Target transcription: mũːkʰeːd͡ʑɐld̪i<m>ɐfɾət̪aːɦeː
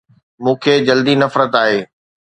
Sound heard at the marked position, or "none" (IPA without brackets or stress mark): n